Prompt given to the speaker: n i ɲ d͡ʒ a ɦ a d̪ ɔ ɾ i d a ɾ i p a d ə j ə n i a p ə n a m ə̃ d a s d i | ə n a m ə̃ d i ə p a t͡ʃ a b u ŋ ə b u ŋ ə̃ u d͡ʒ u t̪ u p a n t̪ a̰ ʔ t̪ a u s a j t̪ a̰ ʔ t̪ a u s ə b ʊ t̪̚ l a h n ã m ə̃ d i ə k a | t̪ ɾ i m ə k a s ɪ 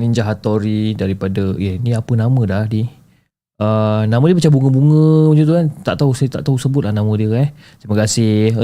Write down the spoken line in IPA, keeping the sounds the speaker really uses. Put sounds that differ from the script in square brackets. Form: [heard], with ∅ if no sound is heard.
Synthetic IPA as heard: n i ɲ d͡ʒ a ɦ a [t̪] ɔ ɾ i d a ɾ i p a d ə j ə n i a p ə n a m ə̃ d a [h] d i | ə n a m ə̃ d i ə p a t͡ʃ a b u ŋ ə b u ŋ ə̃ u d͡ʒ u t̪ u [k] a n t̪ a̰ ʔ t̪ a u s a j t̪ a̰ ʔ t̪ a u s ə b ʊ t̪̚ l a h n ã m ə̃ d i ə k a | t̪ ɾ i m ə k a s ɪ